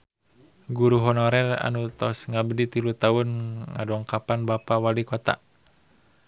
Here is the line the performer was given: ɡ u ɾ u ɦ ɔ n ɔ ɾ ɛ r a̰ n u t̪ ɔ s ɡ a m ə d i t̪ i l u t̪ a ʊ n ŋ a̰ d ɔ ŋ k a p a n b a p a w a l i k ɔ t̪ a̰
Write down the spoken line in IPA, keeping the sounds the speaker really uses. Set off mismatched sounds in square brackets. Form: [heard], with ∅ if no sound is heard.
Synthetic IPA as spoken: ɡ u ɾ u ɦ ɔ n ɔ ɾ ɛ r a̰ n u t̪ ɔ s [ŋ] a [b] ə d i t̪ i l u t̪ a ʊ n ŋ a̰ d ɔ ŋ k a p a n b a p a w a l i k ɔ t̪ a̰